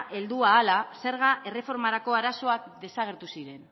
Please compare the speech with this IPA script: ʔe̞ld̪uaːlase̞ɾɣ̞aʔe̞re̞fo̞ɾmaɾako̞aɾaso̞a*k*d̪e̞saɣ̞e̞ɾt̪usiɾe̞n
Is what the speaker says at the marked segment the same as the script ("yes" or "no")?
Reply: yes